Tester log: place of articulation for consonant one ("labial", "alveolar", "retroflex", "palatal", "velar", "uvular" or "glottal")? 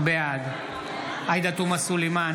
labial